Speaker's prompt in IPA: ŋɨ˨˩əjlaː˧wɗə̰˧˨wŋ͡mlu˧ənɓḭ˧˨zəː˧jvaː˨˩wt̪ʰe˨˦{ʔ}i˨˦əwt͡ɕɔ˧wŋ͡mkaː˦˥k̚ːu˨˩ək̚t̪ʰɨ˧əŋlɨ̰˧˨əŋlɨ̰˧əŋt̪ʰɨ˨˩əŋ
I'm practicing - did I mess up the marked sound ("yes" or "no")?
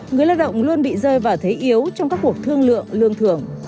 no